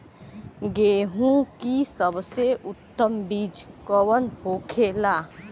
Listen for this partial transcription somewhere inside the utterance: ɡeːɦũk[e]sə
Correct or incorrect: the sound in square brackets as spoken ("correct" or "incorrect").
incorrect